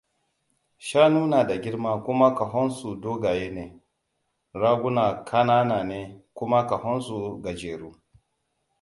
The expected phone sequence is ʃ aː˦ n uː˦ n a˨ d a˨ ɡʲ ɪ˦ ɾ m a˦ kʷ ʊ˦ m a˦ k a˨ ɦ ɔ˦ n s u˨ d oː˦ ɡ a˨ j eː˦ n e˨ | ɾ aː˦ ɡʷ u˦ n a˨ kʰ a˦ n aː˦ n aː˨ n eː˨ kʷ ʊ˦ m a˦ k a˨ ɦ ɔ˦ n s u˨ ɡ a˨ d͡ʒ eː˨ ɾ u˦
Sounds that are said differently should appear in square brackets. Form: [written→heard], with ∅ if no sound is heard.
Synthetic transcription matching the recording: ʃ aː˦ n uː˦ n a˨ d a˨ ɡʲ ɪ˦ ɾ m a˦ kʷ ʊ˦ m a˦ k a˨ ɦ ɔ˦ n s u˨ d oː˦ ɡ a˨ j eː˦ n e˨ | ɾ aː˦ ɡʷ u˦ n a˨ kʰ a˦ n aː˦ n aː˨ n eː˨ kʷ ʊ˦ m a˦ k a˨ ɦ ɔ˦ n s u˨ ɡ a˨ d͡ʒ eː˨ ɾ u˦